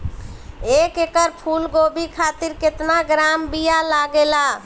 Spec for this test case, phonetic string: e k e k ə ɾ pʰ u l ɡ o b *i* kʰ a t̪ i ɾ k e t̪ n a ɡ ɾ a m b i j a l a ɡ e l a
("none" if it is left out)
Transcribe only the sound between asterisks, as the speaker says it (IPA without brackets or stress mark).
i